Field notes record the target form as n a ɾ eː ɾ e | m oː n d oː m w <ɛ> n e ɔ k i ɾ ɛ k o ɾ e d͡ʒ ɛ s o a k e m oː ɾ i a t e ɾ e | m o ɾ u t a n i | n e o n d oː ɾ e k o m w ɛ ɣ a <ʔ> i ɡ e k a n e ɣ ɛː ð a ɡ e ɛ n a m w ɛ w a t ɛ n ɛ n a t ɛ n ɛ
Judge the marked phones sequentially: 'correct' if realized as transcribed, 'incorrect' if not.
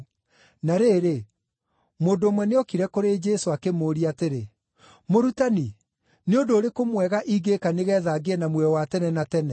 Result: correct, correct

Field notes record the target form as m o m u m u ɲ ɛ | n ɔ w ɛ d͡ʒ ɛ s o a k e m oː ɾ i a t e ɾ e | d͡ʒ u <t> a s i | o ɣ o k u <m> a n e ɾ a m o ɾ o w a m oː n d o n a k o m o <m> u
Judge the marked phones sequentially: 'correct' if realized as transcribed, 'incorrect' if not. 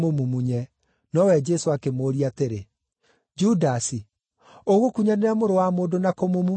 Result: incorrect, incorrect, correct

